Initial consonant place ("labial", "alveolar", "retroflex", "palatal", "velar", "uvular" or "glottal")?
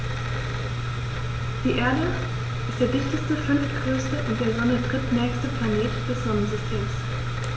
alveolar